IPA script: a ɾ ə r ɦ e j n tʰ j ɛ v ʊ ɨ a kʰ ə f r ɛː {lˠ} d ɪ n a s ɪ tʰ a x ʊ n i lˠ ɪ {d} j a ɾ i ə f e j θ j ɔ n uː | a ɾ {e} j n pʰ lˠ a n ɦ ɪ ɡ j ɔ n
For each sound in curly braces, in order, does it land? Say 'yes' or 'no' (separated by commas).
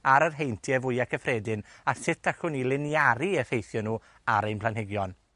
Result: no, no, yes